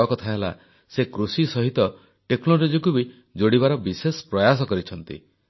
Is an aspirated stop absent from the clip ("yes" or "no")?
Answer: no